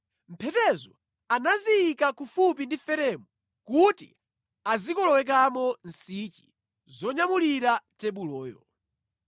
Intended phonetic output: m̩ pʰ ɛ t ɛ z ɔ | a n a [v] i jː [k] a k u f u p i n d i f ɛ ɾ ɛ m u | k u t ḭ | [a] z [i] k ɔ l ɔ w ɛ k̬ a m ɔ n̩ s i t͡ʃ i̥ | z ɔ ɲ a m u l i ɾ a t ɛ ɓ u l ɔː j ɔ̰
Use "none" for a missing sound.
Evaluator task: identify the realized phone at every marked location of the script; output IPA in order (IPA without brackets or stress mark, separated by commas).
z, k, a, i